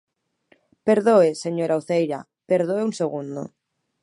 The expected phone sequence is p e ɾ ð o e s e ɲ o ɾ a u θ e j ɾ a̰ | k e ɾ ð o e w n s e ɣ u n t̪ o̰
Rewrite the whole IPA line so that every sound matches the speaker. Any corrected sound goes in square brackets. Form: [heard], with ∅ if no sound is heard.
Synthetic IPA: p e ɾ ð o e s e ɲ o ɾ a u θ e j ɾ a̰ | [p] e ɾ ð o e [u] n s e ɣ u n [d̪] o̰